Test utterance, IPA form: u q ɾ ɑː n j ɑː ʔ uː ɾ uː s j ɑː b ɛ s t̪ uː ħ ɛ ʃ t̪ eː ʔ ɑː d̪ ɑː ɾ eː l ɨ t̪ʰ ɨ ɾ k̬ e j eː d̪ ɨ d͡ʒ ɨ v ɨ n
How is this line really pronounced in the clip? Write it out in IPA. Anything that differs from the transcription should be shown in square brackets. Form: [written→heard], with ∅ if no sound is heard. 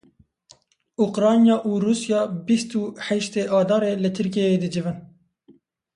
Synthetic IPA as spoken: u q ɾ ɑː n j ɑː ʔ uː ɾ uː s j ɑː b [ɛ→i] s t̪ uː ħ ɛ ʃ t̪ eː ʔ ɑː d̪ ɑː ɾ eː l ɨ t̪ʰ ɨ ɾ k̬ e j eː d̪ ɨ d͡ʒ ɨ v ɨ n